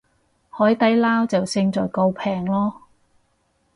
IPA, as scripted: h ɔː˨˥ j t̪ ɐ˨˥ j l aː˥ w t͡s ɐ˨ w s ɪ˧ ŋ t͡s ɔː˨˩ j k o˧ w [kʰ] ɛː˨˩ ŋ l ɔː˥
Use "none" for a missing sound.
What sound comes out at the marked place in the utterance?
pʰ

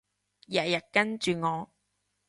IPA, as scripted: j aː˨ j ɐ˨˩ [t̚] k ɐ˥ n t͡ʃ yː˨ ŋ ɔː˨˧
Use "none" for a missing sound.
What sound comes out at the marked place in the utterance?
t̚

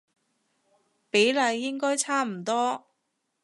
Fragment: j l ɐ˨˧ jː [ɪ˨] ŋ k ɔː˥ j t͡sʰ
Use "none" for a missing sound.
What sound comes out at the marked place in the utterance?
ɪ˥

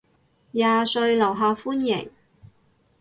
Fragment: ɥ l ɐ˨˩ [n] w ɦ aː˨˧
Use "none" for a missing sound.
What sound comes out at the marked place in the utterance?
none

